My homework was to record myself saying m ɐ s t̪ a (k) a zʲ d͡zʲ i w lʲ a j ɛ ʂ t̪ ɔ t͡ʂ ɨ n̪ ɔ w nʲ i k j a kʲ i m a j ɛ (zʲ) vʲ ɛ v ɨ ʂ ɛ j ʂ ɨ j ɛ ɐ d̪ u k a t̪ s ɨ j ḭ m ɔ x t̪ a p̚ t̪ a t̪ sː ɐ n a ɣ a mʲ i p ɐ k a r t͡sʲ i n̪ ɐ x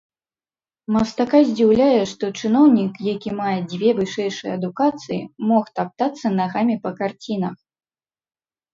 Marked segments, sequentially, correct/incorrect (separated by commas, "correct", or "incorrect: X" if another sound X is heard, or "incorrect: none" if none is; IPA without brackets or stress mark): correct, incorrect: d͡zʲ